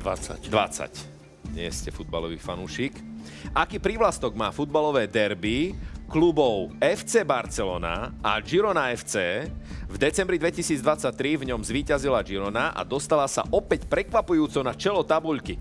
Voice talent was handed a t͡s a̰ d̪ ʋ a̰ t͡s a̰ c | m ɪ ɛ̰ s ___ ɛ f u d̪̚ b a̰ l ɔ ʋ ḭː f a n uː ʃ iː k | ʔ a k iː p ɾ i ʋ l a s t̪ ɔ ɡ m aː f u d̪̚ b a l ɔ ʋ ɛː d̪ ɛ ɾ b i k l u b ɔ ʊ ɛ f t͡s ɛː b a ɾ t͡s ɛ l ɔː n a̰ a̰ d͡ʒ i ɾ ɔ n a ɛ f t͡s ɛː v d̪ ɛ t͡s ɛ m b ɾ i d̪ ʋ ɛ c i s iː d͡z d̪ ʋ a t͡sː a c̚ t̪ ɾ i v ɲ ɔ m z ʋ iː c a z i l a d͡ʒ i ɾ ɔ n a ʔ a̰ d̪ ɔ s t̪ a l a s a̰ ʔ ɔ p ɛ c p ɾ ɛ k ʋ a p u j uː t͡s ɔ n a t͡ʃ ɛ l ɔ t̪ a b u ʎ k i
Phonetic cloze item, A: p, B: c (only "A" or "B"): B